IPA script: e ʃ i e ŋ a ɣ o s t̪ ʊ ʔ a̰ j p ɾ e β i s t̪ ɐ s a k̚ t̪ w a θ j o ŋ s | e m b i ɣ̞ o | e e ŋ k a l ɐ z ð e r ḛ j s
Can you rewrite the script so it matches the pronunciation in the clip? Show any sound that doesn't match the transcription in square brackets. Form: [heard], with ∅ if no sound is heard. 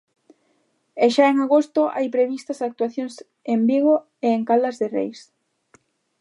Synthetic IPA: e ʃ [a] e ŋ a ɣ o s t̪ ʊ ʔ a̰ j p ɾ e β i s t̪ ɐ s a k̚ t̪ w a θ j o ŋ s | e m b i ɣ̞ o | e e ŋ k a l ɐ z ð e r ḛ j s

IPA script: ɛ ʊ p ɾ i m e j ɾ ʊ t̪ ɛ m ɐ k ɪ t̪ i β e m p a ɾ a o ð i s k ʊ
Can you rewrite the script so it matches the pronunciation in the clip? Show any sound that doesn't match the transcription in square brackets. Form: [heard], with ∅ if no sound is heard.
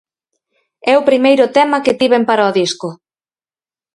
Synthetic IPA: ɛ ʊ p ɾ i m e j ɾ ʊ t̪ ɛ m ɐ k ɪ t̪ i β e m p a ɾ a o ð i s k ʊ

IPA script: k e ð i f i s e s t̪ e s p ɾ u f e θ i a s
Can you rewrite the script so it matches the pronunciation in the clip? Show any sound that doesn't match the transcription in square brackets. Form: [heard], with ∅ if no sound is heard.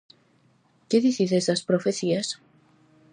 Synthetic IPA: k e ð i [θ] i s e s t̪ [a] s p ɾ [o] f e θ i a s

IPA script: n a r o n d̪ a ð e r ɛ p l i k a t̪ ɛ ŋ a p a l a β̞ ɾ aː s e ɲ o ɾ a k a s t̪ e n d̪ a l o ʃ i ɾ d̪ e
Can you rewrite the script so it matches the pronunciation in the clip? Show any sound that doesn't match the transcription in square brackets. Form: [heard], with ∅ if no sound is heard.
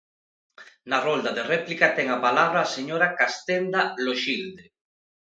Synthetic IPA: n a r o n d̪ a ð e r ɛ p l i k a t̪ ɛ ŋ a p a l a β̞ ɾ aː s e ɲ o ɾ a k a s t̪ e n d̪ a l o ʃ i [l] d̪ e

